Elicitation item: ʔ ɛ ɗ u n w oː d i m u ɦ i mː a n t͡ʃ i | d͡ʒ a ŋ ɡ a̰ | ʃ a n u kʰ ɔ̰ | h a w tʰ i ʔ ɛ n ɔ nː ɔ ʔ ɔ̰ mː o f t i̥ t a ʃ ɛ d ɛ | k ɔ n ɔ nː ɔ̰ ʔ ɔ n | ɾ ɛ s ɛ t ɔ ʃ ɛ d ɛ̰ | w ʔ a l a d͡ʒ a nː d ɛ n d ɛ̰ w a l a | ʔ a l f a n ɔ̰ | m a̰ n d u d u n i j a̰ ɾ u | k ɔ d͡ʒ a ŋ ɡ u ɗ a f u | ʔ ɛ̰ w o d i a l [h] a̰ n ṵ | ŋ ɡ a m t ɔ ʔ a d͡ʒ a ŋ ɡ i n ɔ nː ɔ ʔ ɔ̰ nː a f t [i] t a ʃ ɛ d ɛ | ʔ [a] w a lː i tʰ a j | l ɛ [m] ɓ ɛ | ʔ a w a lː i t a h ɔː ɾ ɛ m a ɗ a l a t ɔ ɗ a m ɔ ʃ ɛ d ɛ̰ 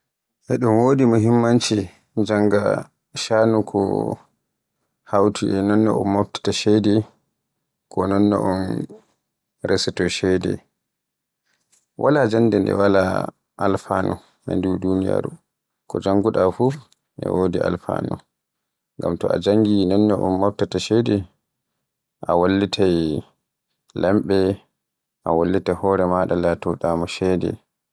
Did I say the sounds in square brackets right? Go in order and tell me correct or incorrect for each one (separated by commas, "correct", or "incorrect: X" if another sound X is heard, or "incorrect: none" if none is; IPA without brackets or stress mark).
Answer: incorrect: f, incorrect: a, correct, correct